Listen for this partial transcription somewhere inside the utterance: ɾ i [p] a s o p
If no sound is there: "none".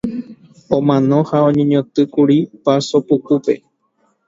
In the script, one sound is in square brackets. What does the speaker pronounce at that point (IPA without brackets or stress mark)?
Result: p